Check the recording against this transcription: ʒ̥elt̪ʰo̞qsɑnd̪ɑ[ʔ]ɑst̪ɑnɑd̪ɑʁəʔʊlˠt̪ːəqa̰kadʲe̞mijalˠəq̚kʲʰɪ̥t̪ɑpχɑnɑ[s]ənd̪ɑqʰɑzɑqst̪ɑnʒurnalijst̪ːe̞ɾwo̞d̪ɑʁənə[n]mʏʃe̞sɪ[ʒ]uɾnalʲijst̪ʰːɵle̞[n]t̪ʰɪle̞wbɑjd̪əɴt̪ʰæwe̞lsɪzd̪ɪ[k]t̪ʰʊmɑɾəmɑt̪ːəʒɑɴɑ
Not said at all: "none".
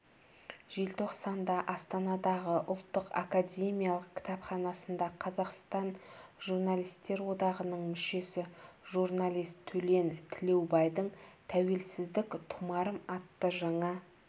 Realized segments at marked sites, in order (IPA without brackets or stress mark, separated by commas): ʔ, s, ɴ, ʒ, n, k